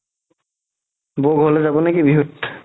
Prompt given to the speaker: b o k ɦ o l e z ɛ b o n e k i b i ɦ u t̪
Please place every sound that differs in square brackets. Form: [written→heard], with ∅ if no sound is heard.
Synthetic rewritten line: b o [k→ɡ] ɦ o l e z [ɛ→a] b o n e k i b i ɦ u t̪

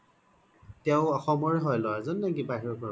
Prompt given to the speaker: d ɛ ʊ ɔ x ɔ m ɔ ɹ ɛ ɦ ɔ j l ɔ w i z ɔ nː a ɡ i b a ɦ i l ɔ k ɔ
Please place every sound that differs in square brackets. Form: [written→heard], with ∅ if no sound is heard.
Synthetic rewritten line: [d→t] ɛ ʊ ɔ x ɔ m ɔ ɹ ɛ ɦ ɔ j l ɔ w [i→a] z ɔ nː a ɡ i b a ɦ i [l→ɹ] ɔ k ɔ

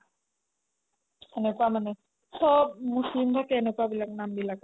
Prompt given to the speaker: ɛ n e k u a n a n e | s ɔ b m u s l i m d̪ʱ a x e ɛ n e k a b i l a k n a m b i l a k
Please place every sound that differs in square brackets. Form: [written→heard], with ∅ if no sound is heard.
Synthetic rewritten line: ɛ n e k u a [n→m] a n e | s ɔ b m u s l i m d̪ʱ a [x→k] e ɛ n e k a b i l a k n a m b i l a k

